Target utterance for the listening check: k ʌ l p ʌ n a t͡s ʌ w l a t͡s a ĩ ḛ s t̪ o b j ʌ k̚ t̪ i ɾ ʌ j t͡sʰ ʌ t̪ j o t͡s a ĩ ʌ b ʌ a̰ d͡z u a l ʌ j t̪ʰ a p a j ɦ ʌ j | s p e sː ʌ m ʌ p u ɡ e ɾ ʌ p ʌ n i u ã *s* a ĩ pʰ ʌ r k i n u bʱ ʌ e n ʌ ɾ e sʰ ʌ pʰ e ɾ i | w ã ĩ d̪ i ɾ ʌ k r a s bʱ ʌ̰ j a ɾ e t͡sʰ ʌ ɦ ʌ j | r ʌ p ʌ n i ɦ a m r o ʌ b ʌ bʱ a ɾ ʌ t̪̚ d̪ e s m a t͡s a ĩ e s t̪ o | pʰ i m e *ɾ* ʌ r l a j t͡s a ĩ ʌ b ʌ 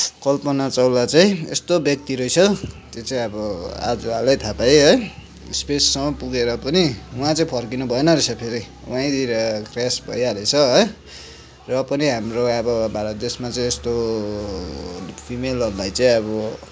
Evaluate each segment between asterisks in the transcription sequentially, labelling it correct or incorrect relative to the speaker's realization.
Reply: incorrect: t͡s, incorrect: l

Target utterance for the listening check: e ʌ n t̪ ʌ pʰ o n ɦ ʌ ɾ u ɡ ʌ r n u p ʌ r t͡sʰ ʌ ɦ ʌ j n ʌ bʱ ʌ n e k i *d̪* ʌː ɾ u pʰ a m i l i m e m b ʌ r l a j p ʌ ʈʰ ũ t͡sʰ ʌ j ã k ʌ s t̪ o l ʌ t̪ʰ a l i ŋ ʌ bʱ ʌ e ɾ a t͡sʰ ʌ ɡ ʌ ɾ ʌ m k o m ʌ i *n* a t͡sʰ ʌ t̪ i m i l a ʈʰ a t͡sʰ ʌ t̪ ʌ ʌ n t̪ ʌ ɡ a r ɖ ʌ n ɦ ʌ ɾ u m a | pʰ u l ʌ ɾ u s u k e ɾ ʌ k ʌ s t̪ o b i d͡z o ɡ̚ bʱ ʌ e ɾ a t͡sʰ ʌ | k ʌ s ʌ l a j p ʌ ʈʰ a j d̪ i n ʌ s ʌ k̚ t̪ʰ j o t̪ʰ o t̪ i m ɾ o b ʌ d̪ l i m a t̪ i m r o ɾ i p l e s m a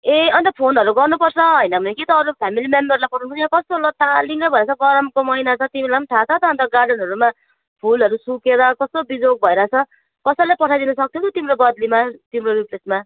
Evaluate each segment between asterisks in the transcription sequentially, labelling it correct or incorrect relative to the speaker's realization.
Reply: incorrect: t̪, correct

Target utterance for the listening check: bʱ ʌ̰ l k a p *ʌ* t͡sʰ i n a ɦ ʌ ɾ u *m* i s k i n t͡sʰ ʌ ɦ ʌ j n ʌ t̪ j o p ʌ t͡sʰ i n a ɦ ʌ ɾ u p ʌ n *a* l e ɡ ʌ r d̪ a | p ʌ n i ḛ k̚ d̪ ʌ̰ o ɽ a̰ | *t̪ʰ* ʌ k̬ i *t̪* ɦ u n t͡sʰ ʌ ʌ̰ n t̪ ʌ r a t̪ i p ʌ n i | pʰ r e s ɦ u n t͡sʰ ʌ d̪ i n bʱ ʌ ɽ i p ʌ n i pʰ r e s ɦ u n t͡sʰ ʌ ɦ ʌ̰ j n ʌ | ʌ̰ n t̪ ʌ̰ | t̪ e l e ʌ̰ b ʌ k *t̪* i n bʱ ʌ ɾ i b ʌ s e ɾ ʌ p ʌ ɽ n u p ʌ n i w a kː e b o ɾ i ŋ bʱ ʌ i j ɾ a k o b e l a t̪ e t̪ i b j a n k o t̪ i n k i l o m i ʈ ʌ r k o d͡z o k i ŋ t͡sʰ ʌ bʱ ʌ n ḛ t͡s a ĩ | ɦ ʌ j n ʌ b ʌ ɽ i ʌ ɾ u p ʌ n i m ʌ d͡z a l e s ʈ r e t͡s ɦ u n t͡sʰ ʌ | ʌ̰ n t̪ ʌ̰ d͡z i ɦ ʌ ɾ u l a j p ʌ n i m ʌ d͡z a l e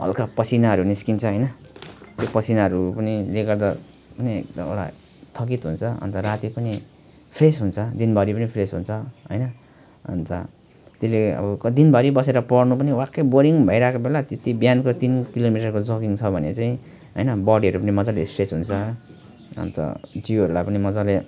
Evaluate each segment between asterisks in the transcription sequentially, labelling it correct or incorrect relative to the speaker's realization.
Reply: correct, incorrect: n, incorrect: i, correct, correct, incorrect: d̪

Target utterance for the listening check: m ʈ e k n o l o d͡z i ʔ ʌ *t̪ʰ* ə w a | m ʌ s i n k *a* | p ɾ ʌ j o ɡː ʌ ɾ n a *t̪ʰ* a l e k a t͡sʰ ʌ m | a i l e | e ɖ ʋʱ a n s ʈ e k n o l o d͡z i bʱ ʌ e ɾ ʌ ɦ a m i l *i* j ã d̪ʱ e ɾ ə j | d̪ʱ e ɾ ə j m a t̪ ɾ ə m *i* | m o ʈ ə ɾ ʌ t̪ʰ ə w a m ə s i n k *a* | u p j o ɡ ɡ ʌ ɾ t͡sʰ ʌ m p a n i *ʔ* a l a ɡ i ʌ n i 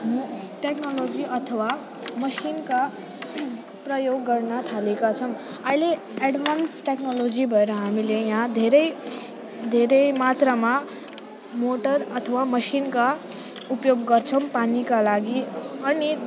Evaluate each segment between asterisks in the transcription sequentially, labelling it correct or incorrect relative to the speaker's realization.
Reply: correct, correct, correct, incorrect: e, incorrect: a, correct, incorrect: k

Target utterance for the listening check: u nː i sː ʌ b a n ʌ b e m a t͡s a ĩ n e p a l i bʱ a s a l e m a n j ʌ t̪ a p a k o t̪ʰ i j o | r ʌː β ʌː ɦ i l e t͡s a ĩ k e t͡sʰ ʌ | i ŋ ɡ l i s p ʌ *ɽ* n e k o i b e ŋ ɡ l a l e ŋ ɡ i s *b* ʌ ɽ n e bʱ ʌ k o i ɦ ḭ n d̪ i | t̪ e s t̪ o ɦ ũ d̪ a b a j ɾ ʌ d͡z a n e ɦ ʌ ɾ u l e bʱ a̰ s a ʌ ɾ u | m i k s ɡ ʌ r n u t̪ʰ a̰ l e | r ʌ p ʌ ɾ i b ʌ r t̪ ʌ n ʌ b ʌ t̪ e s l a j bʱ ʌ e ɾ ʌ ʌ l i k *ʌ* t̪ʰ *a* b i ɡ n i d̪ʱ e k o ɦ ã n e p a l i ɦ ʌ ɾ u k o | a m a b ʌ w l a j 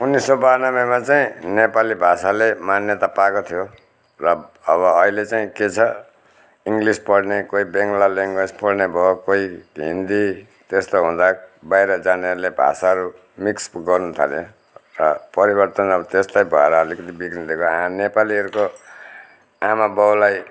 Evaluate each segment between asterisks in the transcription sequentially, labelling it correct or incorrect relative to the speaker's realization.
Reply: correct, incorrect: p, correct, incorrect: i

